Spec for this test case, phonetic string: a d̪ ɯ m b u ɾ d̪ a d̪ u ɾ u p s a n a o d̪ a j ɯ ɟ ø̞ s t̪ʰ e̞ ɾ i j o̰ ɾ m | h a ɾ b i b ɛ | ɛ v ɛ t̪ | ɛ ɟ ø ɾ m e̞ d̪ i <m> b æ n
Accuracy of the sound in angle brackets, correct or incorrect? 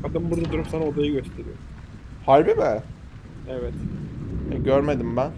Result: correct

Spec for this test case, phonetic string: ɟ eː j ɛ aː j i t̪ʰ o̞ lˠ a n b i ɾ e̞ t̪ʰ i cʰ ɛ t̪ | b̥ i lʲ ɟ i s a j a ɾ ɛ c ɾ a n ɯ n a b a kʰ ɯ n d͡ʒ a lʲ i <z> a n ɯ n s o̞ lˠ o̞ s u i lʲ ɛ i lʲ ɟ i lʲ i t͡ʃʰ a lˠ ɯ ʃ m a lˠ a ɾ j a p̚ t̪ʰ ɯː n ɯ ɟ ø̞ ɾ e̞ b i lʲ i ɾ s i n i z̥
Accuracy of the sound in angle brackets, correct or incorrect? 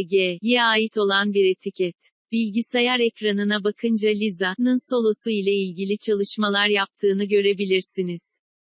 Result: correct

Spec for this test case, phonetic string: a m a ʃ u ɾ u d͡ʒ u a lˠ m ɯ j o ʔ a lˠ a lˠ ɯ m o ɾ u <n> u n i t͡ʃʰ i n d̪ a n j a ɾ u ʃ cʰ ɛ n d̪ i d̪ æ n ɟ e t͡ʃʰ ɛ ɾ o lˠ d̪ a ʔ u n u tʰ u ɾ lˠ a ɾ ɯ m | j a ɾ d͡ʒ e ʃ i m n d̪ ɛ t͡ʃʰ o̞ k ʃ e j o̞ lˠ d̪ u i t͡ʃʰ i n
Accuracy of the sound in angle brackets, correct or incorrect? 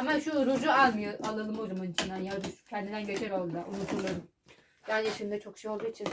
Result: incorrect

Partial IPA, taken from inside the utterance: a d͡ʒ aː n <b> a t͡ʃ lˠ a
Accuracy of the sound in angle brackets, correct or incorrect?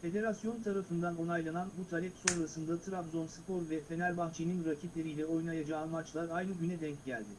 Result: incorrect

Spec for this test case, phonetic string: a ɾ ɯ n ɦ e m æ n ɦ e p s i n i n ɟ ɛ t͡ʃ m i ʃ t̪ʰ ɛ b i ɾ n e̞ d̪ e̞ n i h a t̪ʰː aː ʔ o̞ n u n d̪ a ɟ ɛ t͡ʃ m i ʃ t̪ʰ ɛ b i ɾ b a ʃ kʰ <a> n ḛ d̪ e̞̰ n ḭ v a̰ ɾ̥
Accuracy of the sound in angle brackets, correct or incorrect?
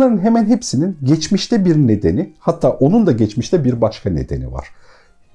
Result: correct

